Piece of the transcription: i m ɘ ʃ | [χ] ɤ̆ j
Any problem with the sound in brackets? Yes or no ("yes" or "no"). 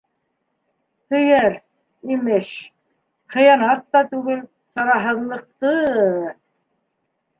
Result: no